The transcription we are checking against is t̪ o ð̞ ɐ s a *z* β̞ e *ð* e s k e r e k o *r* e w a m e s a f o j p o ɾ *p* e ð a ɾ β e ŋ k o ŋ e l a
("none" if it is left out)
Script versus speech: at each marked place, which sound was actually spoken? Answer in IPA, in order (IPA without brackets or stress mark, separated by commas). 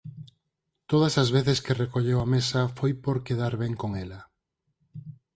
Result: z, θ, ʎ, k